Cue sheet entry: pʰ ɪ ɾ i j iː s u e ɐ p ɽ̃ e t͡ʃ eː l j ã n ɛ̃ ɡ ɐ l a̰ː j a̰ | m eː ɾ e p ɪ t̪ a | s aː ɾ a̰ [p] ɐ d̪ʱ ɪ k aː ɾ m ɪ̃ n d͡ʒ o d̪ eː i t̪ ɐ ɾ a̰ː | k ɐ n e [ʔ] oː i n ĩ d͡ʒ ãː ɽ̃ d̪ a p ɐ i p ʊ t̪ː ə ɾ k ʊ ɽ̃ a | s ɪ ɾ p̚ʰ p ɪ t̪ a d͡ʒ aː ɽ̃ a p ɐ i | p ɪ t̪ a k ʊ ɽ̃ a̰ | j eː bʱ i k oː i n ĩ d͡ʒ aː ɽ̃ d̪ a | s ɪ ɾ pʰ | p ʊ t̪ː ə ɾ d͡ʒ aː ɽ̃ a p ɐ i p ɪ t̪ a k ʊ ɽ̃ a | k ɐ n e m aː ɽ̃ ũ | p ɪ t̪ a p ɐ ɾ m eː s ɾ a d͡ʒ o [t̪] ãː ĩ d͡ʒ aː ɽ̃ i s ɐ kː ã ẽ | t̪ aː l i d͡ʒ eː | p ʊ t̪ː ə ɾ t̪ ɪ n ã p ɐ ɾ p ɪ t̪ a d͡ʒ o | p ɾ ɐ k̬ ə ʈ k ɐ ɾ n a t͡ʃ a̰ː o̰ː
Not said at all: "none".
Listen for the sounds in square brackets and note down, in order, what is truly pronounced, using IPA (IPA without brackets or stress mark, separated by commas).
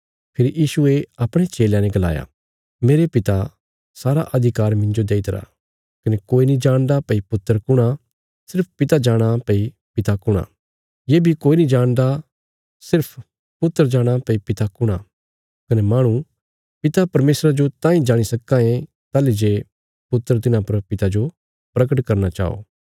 ʔ, k, t̪